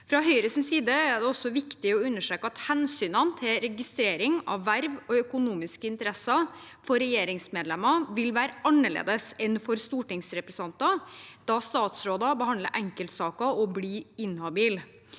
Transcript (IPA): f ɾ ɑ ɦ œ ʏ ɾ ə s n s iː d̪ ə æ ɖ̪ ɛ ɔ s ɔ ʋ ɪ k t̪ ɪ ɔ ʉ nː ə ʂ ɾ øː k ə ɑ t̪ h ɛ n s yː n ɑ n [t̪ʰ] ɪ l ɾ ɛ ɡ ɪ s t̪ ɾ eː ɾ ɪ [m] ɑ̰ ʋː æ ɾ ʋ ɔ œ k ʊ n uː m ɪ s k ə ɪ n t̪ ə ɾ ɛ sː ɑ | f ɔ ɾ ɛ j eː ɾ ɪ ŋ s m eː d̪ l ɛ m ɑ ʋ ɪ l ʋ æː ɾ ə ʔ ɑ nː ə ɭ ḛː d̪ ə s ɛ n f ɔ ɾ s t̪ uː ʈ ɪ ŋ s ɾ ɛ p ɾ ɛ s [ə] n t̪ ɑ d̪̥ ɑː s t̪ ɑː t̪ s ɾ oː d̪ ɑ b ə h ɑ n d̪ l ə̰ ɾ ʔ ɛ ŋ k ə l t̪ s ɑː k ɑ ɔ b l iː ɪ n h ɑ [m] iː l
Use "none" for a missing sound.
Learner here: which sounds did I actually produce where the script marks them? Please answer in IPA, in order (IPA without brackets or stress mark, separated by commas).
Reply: t̪ʰ, ŋ, ɑ, b